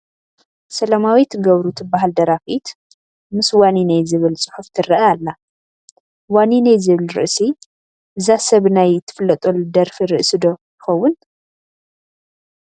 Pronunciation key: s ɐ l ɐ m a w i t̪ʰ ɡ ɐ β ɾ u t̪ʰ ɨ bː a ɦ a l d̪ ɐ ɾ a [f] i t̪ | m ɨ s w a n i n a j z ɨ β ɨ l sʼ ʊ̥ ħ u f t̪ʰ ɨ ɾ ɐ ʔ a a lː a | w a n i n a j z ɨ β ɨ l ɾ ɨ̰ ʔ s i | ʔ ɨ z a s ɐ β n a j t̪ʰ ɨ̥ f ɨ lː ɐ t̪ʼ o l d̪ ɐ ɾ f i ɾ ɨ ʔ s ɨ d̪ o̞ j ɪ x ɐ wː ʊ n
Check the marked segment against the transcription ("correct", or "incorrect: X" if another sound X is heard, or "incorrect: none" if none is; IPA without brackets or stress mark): correct